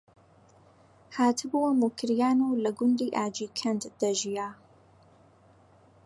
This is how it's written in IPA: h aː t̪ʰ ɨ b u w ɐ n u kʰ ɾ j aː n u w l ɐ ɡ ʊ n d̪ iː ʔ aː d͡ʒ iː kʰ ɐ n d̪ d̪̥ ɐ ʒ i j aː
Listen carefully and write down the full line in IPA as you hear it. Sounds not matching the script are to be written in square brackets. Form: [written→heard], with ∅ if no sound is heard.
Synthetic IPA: h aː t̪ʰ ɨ b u w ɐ [n→m] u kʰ ɾ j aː n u w l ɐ ɡ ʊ n d̪ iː ʔ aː d͡ʒ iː kʰ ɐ n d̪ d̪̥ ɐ ʒ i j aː